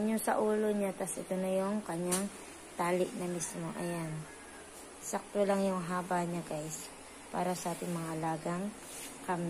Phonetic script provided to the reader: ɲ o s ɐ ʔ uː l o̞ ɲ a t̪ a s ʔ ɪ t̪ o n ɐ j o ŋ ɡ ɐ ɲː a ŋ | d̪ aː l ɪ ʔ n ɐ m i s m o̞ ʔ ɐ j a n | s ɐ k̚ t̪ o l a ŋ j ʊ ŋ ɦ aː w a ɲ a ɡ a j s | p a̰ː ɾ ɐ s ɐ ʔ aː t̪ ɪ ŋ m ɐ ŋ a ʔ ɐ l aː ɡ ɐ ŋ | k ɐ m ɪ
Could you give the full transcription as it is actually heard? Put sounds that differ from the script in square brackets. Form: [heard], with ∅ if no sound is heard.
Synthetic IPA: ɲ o s ɐ ʔ uː l o̞ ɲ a t̪ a s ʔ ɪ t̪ o n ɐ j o ŋ [k] ɐ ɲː a ŋ | [t̪] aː l ɪ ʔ n ɐ m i s m o̞ ʔ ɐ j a n | s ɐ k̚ t̪ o l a ŋ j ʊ ŋ ɦ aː [b] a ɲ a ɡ a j s | p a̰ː ɾ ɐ s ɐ ʔ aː t̪ ɪ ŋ m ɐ ŋ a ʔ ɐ l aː ɡ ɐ ŋ | k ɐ m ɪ